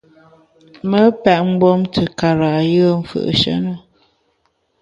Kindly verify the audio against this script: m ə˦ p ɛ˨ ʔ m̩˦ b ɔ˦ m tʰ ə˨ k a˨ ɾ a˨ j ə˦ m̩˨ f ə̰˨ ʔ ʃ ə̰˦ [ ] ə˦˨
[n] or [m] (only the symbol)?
n